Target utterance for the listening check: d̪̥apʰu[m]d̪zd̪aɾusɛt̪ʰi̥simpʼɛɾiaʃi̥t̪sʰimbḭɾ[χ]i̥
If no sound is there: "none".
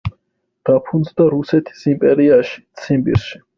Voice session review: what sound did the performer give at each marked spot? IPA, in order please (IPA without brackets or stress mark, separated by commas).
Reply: n, ʃ